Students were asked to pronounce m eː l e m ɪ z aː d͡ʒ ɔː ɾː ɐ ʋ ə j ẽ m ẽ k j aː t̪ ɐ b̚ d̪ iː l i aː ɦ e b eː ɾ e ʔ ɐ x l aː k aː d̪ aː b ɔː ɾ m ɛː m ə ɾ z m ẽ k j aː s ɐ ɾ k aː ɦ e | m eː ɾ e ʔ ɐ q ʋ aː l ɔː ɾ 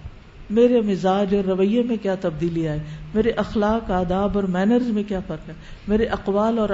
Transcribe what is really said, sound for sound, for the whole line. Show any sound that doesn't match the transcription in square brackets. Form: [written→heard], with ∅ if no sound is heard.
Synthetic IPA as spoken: m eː [l→ɾ] e m ɪ z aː d͡ʒ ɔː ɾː ɐ ʋ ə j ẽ m ẽ k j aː t̪ ɐ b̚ d̪ iː l i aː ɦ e [b→m] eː ɾ e ʔ ɐ x l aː k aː d̪ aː b ɔː ɾ m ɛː [m→n] ə ɾ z m ẽ k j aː [s→f] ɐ ɾ k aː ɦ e | m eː ɾ e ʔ ɐ q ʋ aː l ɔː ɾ